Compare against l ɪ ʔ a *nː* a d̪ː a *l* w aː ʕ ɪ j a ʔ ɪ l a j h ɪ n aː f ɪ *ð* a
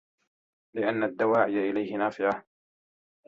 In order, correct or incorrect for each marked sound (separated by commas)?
correct, incorrect, incorrect